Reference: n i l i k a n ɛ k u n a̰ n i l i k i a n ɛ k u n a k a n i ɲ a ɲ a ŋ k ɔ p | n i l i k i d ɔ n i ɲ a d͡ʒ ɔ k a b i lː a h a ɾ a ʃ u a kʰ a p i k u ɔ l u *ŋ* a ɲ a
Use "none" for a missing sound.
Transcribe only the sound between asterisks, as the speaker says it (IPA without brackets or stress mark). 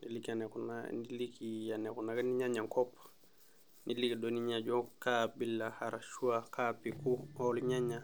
ɲ